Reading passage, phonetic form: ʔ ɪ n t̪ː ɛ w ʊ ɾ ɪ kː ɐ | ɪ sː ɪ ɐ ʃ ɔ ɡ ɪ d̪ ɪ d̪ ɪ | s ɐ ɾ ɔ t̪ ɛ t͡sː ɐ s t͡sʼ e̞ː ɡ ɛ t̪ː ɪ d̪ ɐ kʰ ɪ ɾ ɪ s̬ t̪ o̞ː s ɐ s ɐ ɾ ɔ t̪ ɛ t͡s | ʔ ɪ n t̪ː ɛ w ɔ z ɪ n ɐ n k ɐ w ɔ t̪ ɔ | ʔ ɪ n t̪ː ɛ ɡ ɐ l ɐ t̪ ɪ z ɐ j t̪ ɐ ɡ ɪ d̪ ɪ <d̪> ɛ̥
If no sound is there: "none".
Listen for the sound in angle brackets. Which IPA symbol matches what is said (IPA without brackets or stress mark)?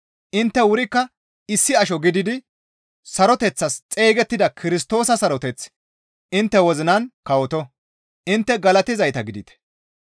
t̪